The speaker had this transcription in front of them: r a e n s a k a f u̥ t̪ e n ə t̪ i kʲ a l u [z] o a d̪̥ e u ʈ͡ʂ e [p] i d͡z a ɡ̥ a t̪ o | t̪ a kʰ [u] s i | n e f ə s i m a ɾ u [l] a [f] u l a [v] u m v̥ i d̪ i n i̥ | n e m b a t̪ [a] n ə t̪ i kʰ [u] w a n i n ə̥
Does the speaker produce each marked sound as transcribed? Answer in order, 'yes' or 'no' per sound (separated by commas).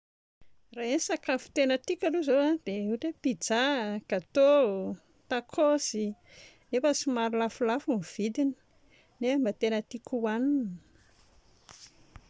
yes, yes, no, yes, yes, no, no, yes